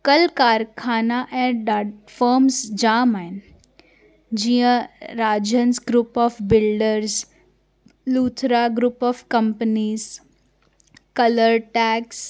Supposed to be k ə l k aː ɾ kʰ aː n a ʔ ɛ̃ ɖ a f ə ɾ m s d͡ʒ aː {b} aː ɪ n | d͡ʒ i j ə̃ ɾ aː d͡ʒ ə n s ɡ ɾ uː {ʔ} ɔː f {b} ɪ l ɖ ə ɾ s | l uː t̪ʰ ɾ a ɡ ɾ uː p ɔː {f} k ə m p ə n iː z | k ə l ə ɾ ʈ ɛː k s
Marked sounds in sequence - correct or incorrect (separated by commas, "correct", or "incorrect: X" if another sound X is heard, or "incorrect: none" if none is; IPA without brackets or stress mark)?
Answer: incorrect: m, incorrect: p, correct, correct